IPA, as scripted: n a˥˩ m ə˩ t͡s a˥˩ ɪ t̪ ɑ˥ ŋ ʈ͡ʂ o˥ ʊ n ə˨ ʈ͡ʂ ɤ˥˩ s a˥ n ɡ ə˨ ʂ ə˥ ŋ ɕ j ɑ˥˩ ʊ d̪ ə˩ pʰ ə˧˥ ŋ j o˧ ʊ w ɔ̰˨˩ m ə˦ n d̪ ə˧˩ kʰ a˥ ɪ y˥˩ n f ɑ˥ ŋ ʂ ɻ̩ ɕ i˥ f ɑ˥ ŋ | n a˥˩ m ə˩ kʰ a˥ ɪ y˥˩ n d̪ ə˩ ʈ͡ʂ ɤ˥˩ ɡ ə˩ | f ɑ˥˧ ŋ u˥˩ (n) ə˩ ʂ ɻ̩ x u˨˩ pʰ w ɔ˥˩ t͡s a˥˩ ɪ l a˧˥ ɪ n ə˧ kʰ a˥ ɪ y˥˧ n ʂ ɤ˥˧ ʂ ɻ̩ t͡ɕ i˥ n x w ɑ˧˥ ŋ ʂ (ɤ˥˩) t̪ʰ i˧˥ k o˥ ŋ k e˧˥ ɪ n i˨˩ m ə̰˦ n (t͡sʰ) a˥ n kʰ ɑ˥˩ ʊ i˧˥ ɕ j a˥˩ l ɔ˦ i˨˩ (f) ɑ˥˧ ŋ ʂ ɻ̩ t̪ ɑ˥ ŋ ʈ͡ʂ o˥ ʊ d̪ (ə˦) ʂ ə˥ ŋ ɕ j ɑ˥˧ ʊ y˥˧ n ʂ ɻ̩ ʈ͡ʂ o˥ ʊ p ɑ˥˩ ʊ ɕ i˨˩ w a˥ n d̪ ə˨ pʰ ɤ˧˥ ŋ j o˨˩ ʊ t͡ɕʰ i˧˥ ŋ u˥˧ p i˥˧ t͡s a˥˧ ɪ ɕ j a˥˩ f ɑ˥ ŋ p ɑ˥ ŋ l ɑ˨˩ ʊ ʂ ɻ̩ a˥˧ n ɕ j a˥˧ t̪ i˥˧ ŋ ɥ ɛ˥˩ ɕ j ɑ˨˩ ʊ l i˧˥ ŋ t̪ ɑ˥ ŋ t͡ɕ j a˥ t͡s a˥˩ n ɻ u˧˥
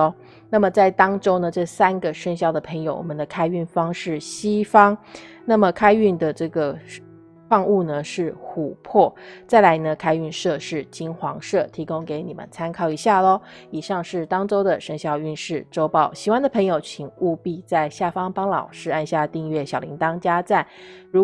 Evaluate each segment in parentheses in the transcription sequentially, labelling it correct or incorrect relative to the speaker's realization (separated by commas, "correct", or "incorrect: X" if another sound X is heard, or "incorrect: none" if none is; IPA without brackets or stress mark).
correct, correct, correct, incorrect: ʂ, incorrect: ə˨